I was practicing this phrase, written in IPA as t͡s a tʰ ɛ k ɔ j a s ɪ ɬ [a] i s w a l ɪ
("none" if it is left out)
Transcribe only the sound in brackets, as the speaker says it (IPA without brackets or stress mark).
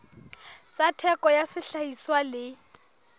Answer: a